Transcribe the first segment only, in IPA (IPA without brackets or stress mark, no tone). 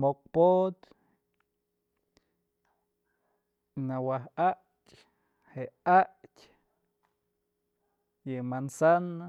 m